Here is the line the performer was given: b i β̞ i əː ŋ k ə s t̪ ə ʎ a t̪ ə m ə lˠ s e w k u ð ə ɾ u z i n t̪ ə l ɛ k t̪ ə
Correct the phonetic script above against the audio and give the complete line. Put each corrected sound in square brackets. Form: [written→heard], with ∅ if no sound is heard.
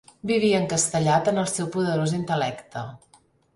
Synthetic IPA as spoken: b i β̞ i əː ŋ k ə s t̪ ə ʎ a t̪ ə [m→n] ə lˠ s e w [k→p] u ð ə ɾ [u→o] z i n t̪ ə l ɛ k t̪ ə